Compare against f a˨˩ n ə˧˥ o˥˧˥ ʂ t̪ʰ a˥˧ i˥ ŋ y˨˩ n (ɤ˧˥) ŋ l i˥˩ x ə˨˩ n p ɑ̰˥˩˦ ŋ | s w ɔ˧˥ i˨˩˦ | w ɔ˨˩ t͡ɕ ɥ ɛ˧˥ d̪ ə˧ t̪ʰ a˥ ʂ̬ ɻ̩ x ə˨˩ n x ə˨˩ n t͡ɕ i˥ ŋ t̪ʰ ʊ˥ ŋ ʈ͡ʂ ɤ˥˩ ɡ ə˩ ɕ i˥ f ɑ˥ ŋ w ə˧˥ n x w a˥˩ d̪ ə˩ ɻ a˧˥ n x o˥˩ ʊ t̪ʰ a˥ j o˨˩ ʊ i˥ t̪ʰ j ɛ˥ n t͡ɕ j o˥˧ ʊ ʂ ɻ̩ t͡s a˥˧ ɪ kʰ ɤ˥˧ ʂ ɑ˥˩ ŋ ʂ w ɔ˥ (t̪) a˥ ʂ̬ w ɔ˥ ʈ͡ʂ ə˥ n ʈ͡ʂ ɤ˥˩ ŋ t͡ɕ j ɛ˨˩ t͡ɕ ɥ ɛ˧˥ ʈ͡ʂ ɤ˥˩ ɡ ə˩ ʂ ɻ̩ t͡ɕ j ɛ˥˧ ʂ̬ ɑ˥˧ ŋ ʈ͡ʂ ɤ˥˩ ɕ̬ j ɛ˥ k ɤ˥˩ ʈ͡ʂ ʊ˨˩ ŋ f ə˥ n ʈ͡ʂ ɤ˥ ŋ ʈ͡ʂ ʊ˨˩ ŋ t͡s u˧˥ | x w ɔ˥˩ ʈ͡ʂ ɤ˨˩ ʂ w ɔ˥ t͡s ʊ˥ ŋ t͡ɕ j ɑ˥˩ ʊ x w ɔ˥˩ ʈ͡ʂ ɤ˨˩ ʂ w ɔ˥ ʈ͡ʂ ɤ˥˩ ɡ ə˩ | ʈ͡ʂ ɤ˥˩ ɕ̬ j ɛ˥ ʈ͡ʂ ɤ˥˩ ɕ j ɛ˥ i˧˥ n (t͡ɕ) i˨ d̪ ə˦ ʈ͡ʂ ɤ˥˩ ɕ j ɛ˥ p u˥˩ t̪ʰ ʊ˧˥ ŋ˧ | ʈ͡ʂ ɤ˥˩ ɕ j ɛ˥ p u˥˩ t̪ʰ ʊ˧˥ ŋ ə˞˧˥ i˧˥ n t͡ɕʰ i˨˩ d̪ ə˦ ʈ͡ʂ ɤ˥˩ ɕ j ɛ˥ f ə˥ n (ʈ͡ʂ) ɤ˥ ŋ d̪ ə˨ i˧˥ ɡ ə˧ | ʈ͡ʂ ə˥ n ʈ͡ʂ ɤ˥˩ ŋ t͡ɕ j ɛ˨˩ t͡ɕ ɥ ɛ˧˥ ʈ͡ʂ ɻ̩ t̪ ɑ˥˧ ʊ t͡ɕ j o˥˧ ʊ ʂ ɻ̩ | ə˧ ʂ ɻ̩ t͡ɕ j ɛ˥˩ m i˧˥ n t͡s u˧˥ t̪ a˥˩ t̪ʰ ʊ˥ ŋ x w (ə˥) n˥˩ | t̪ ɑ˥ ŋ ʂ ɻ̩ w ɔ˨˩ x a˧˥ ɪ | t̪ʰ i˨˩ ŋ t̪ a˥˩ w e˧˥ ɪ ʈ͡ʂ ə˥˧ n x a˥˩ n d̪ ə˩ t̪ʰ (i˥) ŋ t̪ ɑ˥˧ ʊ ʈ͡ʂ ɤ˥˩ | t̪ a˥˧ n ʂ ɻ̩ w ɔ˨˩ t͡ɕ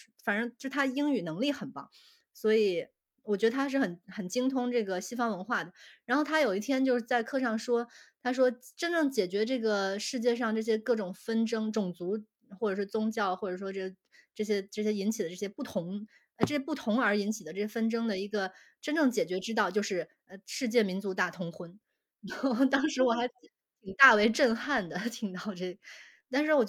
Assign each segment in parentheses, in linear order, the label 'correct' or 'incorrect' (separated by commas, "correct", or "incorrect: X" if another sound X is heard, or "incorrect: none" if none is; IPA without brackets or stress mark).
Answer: correct, incorrect: t̪ʰ, incorrect: t͡ɕʰ, correct, correct, incorrect: i˨˩